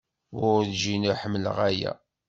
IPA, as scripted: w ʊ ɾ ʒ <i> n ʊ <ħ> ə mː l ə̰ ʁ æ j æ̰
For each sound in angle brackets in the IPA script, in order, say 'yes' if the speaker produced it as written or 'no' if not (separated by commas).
yes, yes